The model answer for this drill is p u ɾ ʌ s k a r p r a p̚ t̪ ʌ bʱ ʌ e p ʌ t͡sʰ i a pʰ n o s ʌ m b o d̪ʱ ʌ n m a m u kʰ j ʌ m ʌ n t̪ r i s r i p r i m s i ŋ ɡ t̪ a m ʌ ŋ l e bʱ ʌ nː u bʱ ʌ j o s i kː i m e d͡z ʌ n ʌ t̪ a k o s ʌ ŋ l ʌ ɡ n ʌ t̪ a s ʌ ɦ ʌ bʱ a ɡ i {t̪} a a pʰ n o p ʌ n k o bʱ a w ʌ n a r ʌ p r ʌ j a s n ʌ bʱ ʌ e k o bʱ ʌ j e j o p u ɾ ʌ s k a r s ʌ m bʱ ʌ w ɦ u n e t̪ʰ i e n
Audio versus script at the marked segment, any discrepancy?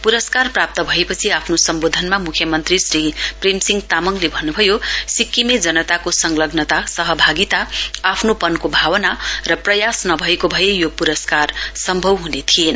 no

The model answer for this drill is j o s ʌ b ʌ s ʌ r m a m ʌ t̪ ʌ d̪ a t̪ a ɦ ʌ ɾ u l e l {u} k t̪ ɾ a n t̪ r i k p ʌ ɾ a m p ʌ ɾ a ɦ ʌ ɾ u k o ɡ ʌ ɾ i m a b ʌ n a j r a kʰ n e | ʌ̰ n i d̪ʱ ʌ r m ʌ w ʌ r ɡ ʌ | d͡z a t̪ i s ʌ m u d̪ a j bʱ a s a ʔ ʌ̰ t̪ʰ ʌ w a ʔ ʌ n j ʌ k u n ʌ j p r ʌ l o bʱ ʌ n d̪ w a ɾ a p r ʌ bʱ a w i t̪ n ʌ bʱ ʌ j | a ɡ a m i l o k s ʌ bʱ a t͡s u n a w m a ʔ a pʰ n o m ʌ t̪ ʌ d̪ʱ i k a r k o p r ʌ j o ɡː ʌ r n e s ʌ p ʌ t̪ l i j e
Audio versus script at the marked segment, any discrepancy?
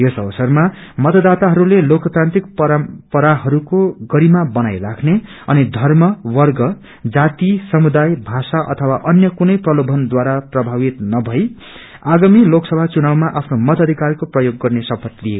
yes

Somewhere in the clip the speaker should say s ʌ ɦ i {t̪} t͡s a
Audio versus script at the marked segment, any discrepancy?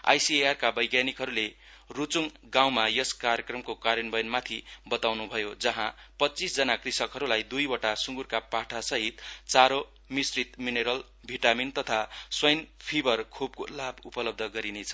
no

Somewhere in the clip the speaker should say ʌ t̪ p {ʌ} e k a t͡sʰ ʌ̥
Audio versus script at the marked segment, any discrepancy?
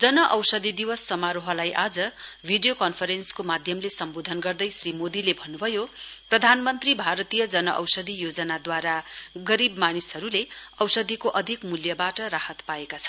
yes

